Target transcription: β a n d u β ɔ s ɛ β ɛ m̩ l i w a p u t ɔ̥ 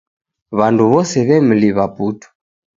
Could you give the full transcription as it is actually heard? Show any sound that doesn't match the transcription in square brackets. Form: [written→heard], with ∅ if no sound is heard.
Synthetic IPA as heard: β a n d u β ɔ s ɛ β ɛ m̩ l i [w→β] a p u t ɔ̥